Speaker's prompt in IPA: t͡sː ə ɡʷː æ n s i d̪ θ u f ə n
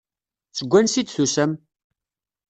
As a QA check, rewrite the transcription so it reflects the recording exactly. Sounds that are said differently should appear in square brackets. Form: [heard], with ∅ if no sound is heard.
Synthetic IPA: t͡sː ə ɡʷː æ n s i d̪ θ u [s] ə [m]

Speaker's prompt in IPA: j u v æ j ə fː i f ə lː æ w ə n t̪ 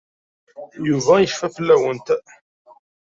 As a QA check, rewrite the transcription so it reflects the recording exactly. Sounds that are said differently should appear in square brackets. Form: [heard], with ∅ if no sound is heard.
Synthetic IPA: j u v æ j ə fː [æ] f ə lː æ w ə n t̪

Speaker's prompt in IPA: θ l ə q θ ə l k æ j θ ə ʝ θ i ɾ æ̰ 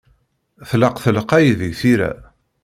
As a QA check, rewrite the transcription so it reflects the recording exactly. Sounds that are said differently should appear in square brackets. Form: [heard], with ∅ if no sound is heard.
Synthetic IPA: θ l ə q θ ə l [q] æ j [ð] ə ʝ θ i ɾ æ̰

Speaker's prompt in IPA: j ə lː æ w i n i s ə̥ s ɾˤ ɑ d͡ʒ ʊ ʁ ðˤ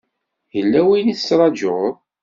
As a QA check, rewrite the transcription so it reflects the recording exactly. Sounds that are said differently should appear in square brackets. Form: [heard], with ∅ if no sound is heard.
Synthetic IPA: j ə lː æ w i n i [θ] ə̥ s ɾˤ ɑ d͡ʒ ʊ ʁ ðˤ

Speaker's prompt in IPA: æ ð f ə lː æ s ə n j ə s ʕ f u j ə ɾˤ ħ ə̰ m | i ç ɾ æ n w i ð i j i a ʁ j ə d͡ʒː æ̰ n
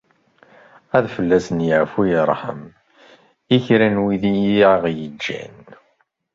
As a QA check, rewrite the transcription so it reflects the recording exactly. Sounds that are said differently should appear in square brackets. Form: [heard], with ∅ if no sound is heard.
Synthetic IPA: æ ð f ə lː æ s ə n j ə [∅] ʕ f u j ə ɾˤ ħ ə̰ m | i ç ɾ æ n w i ð i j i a ʁ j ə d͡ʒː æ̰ n

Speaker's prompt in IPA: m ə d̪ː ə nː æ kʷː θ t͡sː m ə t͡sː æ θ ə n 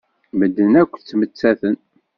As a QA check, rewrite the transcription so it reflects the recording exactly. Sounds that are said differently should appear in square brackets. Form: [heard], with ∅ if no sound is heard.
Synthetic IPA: m ə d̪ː ə [n] æ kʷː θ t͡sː m ə t͡sː æ θ ə n

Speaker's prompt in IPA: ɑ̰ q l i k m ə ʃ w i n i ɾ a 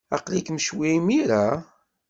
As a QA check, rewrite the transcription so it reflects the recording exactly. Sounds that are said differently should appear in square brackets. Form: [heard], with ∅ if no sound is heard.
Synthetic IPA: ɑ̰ q l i k m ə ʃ w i [m] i ɾ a

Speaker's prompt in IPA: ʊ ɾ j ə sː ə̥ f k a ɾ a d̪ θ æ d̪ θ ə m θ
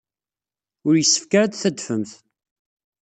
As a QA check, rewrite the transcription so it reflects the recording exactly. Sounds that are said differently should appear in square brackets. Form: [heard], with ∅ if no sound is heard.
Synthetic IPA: ʊ ɾ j ə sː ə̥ f k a ɾ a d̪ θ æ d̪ [f] ə m θ

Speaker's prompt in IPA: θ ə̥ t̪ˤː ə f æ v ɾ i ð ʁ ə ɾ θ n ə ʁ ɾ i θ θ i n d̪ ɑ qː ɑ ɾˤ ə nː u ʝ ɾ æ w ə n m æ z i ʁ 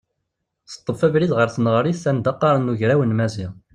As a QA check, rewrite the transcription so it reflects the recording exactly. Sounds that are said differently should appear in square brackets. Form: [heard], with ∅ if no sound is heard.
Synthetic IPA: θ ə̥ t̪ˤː ə f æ v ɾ i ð ʁ ə ɾ θ n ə ʁ ɾ i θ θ [æ] n d̪ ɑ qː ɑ ɾˤ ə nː u ʝ ɾ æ w ə n m æ z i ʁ

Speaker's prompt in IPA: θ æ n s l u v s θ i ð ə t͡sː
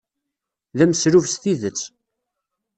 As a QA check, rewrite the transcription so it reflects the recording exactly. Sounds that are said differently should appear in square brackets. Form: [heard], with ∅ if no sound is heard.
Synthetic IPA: [ð] æ [m] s [ɾ] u v s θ i ð ə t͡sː

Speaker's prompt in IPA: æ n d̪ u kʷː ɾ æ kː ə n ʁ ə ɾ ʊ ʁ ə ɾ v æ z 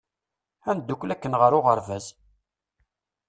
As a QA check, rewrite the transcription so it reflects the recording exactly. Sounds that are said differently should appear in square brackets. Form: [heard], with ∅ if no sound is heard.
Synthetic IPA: æ n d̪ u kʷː [l] æ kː ə n ʁ ə ɾ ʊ ʁ ə ɾ v æ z

